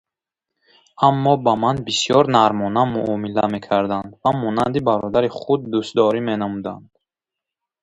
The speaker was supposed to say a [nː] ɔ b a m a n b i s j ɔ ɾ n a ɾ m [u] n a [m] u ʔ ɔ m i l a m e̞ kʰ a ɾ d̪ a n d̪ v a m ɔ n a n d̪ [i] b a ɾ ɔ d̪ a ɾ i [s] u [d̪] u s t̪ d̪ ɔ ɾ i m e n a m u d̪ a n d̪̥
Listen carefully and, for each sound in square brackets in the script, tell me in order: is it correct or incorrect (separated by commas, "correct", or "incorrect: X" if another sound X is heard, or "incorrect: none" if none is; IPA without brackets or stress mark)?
incorrect: mː, incorrect: ɔ, correct, correct, incorrect: χ, incorrect: d̪ː